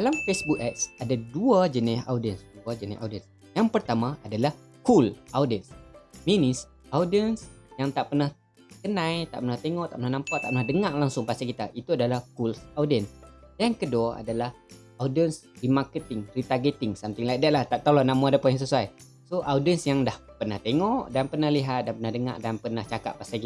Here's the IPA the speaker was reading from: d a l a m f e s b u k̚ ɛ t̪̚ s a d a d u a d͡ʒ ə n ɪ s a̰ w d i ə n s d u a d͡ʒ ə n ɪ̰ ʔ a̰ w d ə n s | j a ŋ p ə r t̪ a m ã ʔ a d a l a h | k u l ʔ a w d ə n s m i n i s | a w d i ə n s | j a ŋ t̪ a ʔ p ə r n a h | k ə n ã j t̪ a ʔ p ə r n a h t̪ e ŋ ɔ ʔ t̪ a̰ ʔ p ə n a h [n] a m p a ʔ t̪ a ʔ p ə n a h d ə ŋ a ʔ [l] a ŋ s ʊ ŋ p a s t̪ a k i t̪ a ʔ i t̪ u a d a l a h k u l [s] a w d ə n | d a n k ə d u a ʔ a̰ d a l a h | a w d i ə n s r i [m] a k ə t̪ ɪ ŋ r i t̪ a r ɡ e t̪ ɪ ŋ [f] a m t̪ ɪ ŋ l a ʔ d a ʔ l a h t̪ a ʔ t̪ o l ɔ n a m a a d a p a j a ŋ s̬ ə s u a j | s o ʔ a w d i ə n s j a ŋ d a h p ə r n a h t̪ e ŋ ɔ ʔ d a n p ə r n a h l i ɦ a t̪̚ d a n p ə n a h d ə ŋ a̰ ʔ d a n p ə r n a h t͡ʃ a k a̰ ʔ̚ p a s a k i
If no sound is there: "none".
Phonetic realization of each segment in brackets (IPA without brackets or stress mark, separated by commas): n, l, s, m, s